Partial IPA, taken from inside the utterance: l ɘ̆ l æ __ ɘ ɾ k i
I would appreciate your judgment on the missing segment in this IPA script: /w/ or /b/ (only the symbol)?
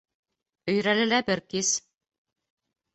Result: b